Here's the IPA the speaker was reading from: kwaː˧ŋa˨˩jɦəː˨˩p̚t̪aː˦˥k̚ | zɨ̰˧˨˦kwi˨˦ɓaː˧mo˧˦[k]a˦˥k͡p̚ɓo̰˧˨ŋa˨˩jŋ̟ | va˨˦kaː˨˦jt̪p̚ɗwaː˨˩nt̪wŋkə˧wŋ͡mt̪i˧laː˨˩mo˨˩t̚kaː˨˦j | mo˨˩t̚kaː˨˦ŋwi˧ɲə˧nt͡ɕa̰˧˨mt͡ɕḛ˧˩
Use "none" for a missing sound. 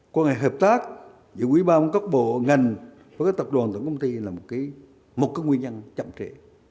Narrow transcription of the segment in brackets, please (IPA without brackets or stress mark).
k